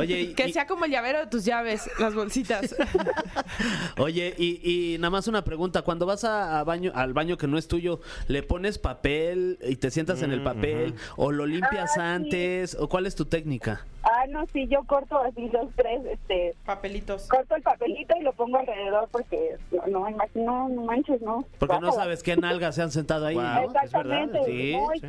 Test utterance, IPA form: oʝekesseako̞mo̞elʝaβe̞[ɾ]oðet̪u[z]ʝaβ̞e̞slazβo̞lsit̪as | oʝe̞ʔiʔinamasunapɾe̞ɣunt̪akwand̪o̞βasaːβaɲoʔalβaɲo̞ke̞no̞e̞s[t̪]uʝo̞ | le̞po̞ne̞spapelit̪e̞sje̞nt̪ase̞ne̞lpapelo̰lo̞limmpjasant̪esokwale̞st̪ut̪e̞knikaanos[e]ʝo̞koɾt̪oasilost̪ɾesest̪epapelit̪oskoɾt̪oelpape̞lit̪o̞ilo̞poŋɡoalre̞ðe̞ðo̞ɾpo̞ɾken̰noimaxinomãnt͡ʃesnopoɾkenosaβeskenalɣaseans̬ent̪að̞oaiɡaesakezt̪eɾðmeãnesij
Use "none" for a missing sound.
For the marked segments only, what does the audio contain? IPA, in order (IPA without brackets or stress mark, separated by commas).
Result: ɾ, z, t̪, i